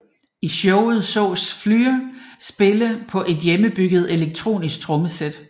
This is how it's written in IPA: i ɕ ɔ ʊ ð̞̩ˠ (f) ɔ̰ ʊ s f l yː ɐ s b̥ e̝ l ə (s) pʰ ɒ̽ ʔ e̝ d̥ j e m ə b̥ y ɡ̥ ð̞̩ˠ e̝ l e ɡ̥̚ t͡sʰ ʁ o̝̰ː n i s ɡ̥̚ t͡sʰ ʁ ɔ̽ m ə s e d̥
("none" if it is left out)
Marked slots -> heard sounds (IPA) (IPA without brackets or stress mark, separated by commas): s, none